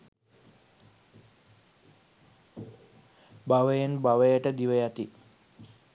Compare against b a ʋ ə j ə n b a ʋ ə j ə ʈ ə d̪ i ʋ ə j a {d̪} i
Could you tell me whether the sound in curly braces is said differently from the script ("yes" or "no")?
yes